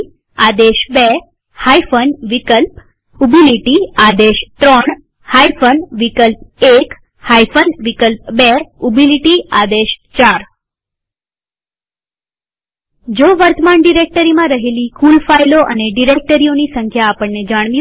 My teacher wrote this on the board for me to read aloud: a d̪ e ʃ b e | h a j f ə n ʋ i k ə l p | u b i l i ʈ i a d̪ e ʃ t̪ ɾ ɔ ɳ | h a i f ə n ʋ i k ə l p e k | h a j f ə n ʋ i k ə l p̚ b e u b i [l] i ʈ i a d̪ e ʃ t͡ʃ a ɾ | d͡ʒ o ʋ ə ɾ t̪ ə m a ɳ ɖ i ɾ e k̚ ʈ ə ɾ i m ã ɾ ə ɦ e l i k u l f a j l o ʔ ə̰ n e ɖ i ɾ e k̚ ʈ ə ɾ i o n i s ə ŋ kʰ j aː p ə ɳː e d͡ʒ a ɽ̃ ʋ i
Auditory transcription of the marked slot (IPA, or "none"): l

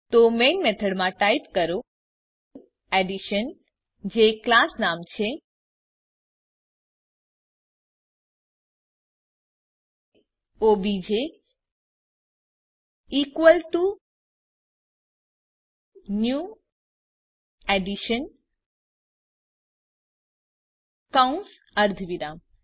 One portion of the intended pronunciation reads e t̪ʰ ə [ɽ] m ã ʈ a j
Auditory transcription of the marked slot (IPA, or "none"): ɽ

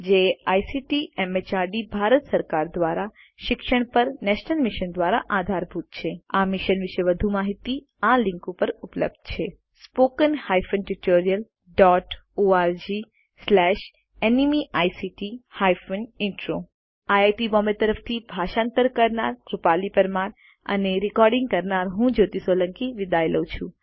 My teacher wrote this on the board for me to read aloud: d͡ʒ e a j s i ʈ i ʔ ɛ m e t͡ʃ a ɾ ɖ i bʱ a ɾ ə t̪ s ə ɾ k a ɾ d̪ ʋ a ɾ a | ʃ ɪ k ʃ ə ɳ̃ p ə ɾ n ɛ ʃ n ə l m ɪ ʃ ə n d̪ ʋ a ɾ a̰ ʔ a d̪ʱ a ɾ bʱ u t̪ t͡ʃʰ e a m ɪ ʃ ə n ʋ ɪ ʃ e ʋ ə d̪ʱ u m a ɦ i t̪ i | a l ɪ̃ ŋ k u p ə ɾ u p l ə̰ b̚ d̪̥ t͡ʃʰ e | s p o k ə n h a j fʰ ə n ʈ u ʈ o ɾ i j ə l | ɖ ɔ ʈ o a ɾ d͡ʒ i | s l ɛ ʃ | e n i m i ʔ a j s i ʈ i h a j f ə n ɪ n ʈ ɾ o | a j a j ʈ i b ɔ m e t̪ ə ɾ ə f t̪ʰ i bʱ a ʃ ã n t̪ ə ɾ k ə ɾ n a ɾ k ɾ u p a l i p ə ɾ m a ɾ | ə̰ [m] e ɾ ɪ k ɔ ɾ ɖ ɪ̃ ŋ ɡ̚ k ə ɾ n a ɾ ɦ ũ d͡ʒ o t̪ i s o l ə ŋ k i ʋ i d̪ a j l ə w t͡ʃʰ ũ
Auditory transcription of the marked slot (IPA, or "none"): n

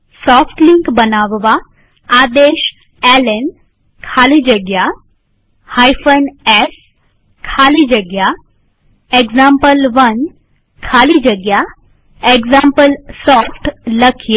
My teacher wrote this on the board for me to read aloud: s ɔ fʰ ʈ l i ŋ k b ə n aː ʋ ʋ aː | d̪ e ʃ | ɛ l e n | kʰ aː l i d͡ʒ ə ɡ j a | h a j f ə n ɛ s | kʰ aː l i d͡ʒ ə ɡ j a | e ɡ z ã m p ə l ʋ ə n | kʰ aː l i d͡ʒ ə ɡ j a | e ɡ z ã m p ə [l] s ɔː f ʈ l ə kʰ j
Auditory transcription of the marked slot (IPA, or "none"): l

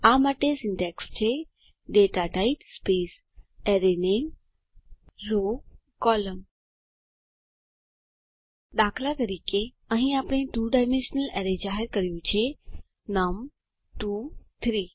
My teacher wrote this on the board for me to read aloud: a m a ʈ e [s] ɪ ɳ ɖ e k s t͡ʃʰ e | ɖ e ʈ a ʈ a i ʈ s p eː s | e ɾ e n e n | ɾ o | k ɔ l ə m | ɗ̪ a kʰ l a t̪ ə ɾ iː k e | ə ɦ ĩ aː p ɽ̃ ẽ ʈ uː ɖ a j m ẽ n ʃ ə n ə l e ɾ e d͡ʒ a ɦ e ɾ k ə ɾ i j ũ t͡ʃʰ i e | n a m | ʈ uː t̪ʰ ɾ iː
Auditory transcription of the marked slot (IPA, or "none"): s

